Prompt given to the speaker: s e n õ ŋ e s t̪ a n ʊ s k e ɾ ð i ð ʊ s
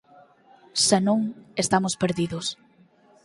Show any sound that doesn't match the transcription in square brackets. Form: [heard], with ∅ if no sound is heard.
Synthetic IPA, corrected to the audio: s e n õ ŋ e s t̪ a [m] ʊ s [p] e ɾ ð i ð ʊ s